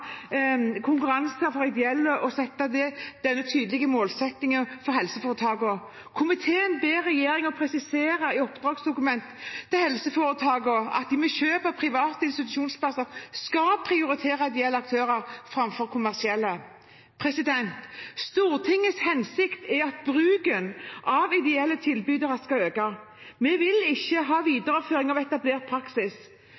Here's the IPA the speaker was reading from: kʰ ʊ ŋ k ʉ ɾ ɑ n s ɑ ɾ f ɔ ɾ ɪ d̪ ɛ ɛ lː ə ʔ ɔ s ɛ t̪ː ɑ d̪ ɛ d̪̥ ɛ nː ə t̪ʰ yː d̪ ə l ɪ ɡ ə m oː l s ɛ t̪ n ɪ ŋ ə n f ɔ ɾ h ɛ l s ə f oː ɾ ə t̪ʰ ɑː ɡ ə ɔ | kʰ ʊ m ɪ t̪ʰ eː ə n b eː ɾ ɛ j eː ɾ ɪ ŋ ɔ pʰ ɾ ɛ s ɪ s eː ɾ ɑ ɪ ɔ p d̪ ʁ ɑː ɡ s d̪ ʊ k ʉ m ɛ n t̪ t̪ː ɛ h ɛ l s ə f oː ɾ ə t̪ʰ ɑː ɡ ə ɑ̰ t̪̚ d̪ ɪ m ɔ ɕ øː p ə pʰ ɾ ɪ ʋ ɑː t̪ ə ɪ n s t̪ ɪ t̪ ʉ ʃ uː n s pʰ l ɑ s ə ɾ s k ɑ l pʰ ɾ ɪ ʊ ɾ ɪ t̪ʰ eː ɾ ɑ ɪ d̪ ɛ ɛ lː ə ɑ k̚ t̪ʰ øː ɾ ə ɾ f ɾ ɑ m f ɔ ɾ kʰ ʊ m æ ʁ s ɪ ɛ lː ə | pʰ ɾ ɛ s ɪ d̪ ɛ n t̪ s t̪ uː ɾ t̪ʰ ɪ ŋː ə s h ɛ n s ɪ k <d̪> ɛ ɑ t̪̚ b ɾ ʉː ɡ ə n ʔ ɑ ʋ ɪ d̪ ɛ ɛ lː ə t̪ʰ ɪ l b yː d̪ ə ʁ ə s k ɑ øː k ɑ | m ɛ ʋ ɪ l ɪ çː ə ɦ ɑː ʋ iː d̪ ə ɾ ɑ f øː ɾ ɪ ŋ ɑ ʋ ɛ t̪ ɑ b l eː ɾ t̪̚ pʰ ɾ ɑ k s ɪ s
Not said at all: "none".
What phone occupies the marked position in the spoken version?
t̪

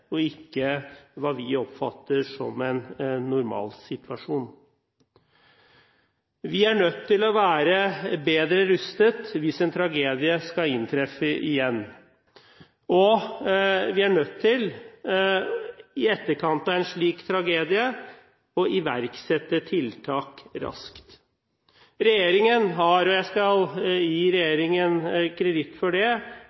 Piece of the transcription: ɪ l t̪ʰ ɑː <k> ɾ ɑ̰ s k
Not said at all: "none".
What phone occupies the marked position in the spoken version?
k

